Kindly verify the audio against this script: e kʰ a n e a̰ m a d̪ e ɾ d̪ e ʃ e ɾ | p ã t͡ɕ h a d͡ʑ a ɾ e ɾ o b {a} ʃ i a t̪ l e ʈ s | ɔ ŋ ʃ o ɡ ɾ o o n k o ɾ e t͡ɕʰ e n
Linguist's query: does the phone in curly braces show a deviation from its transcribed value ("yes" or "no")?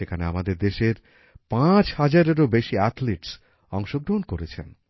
yes